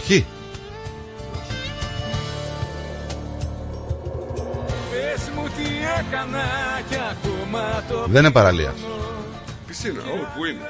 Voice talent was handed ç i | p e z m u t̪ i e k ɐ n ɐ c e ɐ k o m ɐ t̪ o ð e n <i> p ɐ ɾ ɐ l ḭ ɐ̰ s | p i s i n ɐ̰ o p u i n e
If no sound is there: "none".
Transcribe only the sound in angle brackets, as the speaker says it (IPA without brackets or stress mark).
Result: e